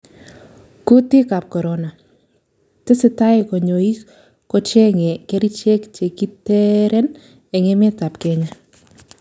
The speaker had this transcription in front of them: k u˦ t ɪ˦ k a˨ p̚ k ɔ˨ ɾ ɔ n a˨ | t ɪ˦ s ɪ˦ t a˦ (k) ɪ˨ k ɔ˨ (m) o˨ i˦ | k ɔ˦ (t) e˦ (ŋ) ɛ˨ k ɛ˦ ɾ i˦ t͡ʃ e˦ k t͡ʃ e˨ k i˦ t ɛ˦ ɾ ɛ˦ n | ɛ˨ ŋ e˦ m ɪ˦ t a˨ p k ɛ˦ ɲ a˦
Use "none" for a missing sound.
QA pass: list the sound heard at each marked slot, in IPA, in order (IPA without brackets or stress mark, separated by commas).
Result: none, ɲ, t͡ʃ, ŋ